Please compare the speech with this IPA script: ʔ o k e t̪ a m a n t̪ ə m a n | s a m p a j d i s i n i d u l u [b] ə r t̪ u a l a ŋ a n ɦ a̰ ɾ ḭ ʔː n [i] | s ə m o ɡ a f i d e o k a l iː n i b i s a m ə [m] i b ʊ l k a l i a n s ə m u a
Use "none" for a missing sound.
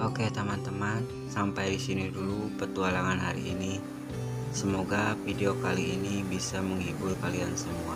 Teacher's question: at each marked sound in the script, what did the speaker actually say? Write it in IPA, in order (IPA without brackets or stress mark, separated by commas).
p, i, ŋ